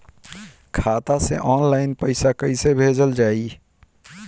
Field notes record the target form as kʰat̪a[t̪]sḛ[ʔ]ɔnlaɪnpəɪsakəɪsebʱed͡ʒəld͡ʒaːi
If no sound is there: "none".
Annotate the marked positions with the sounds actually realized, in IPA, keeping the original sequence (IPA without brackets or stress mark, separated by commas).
none, ʔ